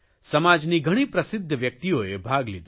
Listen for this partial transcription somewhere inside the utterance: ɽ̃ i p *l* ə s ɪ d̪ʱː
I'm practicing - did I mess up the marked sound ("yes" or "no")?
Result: yes